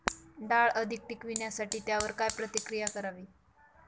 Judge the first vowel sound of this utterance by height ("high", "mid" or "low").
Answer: low